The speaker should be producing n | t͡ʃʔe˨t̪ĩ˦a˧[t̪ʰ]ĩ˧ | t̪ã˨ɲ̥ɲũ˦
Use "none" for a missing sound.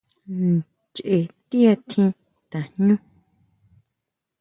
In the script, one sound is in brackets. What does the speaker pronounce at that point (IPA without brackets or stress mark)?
t̪ʰ